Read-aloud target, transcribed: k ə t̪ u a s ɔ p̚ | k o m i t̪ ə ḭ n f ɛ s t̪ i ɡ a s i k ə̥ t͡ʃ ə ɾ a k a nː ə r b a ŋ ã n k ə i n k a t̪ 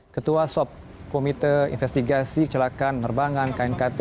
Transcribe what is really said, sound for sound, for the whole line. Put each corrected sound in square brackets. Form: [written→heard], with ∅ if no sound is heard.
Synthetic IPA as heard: k ə t̪ u a s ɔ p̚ | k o m i t̪ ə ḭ n f ɛ s t̪ i ɡ a s i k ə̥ t͡ʃ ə [ɾ→l] a k a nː ə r b a ŋ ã n k [ə→a] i n k a t̪